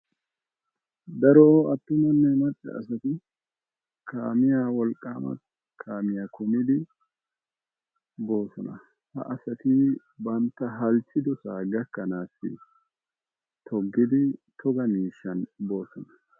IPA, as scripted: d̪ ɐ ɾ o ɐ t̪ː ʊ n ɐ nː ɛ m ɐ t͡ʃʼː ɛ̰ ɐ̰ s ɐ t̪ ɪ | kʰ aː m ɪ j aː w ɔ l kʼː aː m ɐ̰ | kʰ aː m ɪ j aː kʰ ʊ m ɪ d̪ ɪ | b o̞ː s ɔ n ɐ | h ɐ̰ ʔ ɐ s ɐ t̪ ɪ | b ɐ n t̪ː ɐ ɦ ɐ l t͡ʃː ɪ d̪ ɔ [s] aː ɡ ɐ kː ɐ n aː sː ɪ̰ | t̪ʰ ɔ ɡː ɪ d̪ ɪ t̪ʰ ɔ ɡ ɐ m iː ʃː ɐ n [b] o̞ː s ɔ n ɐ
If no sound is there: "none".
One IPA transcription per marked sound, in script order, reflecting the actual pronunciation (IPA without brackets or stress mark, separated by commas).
s, b